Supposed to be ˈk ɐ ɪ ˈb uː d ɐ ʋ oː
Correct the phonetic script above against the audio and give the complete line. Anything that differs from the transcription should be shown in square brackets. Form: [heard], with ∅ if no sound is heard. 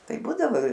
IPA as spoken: [ˈt] ɐ ɪ ˈb uː d ɐ ʋ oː